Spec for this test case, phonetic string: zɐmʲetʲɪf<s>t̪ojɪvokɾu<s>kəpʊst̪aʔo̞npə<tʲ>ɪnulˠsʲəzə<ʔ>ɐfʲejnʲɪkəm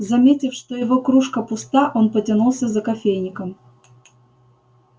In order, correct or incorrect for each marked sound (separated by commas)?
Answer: incorrect, incorrect, correct, incorrect